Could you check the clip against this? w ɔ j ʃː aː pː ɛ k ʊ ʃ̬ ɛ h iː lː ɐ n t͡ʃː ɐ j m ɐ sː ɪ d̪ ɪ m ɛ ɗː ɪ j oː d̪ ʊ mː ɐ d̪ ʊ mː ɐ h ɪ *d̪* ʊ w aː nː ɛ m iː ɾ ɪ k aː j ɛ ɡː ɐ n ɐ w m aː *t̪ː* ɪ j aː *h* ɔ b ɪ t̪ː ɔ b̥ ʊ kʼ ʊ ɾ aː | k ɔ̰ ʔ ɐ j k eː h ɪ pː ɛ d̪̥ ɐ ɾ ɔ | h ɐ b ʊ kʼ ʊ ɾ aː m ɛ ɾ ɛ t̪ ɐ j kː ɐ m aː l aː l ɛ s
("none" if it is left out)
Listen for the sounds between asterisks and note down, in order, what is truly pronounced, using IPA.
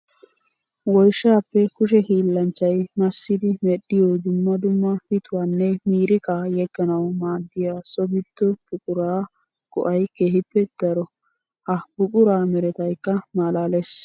t̪, d̪ː, s

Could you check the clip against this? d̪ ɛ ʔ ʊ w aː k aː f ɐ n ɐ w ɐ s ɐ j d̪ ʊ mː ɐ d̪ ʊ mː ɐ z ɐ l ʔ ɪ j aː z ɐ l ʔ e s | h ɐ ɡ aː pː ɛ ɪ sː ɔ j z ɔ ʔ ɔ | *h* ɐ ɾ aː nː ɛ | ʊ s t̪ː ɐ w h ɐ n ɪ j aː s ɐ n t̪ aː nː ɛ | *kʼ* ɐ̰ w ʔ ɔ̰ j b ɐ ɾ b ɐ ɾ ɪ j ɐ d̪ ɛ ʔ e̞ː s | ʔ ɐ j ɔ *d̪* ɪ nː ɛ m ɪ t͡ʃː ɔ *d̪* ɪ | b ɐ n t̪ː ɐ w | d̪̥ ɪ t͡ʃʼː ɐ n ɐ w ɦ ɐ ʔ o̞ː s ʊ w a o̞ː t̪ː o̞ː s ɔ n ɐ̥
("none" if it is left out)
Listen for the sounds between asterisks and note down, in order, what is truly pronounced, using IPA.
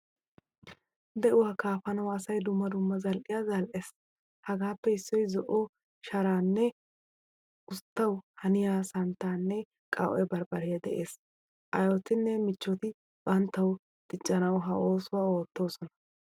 ʃ, kʼ, t̪, t̪

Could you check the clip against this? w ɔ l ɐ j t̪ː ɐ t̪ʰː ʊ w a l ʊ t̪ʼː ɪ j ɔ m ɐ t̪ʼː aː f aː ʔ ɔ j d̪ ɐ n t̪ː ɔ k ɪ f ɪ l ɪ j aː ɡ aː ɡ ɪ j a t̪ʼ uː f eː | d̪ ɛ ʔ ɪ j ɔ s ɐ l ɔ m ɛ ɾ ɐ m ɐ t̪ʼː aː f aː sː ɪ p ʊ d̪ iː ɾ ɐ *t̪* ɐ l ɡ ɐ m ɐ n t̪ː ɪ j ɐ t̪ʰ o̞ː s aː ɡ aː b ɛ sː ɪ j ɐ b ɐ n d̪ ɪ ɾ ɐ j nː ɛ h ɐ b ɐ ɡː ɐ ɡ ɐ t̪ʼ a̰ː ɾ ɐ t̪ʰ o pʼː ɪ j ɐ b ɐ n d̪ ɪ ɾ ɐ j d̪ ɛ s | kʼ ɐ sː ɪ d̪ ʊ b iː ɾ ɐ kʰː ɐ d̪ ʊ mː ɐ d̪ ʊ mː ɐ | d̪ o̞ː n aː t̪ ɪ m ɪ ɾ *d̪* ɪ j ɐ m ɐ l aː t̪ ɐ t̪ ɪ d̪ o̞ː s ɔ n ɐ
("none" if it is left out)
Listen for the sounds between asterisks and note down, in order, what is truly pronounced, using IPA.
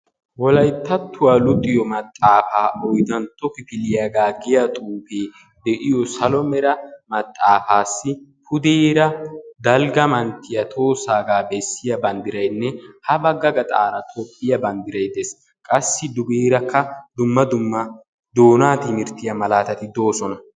d̪, t̪

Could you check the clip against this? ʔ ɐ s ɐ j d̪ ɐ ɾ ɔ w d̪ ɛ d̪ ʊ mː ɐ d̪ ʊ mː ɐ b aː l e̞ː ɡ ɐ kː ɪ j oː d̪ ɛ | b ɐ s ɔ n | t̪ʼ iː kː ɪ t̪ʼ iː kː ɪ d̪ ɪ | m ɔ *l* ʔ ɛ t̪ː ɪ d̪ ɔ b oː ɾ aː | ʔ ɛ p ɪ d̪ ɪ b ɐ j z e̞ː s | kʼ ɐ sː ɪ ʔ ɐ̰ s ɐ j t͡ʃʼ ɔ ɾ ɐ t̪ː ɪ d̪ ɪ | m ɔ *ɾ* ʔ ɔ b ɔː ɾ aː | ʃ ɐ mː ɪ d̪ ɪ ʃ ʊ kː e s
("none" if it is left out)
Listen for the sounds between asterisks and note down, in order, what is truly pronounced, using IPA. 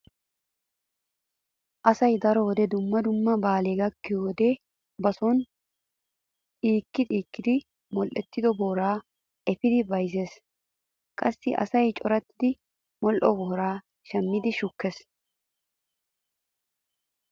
l, l

